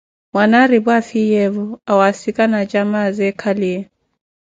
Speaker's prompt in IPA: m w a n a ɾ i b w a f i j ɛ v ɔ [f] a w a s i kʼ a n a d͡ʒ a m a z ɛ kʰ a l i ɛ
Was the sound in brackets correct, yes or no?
no